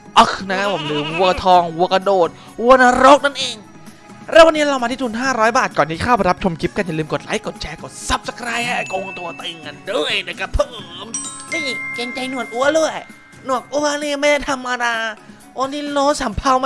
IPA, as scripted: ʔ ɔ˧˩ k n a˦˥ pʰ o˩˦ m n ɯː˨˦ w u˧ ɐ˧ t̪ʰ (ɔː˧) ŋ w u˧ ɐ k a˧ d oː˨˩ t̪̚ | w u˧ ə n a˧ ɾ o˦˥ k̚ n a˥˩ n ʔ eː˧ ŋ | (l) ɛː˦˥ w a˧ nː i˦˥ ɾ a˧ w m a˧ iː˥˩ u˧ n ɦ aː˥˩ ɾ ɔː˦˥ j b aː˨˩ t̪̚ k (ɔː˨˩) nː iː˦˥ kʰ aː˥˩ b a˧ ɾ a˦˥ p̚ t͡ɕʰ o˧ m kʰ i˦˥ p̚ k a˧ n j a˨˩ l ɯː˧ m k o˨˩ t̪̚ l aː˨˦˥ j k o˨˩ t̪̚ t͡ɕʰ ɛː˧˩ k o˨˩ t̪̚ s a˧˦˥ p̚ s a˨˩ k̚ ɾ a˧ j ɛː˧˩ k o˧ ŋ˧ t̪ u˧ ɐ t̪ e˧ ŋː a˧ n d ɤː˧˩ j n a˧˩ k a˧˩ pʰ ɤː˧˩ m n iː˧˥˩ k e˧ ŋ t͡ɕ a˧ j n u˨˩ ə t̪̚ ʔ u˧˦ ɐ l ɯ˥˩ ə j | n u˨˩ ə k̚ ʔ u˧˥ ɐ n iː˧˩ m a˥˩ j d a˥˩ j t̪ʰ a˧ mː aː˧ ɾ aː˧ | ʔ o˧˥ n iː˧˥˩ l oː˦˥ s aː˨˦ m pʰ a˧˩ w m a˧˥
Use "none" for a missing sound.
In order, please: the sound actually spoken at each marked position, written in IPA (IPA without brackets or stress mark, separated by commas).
ɔː˧, ɾ, ɔː˨˩